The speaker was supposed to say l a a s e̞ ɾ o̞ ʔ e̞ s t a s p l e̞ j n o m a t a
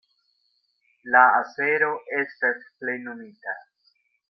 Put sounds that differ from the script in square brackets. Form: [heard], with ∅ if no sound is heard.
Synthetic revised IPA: l a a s e̞ ɾ o̞ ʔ e̞ s t a s p l e̞ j n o m [i] t a